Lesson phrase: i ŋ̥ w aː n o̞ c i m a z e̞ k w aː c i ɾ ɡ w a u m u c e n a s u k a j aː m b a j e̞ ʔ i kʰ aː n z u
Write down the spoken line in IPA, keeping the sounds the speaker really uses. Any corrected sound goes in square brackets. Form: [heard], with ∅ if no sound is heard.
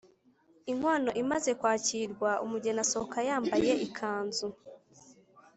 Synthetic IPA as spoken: i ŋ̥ w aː n o̞ [ʔ] i m a z e̞ k w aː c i ɾ ɡ w a u m u [ɟ] e n a s [o] k a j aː m b a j e̞ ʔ i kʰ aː n z u